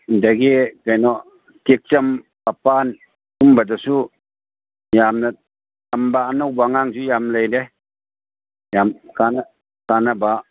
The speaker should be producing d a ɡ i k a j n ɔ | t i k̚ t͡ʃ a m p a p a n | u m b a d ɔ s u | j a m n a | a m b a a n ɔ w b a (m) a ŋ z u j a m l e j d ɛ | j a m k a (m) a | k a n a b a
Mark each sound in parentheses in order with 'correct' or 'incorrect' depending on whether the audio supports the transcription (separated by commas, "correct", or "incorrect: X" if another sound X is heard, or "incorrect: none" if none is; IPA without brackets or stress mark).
incorrect: ŋ, incorrect: n